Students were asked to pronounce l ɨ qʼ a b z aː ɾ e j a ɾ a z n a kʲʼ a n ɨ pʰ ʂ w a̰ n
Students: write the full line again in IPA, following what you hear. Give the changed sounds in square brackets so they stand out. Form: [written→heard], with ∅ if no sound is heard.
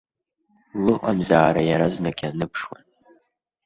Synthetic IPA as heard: l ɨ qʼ a [b→m] z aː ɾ [e→a] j a ɾ a z n a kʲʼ a n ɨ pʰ ʂ w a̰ n